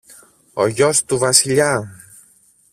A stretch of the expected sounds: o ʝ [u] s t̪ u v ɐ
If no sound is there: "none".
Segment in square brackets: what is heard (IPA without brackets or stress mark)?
o